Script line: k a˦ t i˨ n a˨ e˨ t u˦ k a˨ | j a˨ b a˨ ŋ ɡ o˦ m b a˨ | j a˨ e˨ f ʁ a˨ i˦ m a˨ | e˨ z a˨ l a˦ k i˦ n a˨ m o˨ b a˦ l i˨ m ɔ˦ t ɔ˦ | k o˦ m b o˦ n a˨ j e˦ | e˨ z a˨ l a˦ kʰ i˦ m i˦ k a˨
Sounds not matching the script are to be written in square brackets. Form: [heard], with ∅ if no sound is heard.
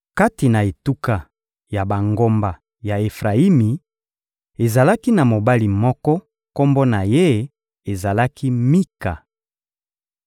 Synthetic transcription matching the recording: k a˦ t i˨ n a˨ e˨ t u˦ k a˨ | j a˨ b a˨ ŋ ɡ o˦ m b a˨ | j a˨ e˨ f ʁ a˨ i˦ m [i˨] | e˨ z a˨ l a˦ k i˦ n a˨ m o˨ b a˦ l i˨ m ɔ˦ [k] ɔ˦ | k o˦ m b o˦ n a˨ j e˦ | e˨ z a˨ l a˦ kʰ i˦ m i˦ k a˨